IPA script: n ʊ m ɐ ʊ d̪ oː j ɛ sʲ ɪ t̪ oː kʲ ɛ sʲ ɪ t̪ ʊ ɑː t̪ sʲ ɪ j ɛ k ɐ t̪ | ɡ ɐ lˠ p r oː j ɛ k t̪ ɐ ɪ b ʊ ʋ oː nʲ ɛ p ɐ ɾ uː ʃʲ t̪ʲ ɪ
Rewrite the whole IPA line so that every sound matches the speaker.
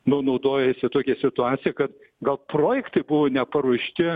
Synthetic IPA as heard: n ʊ n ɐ ʊ d̪ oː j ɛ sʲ ɪ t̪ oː kʲ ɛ sʲ ɪ t̪ ʊ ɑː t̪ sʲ ɪ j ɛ k ɐ t̪ | ɡ ɐ lˠ p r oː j ɛ k t̪ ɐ ɪ b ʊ ʋ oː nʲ ɛ p ɐ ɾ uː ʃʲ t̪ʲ ɪ